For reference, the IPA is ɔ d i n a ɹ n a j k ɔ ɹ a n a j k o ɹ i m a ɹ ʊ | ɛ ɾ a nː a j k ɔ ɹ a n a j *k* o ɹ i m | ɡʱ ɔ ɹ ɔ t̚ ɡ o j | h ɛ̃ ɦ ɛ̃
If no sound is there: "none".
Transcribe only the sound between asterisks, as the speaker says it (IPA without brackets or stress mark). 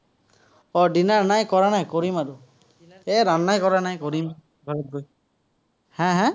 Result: k